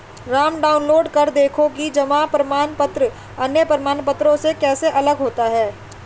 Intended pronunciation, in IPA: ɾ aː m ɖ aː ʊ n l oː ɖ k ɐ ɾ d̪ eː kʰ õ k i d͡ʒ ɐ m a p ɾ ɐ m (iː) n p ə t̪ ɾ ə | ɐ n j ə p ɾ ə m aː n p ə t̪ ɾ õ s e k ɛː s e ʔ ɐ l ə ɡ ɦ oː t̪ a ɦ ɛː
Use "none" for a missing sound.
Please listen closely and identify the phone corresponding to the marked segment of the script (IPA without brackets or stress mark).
aː